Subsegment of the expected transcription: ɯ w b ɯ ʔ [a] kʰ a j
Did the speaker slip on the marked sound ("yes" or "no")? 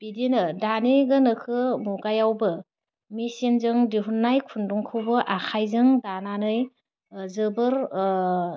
no